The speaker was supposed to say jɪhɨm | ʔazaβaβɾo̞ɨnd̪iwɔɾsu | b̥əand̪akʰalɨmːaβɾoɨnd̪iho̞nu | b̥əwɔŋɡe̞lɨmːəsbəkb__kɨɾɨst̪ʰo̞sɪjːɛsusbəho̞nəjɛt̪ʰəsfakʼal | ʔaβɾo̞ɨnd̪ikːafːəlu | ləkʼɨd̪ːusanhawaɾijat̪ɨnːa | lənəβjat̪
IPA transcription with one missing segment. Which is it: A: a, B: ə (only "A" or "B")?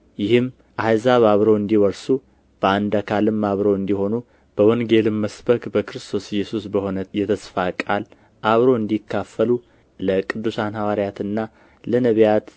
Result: B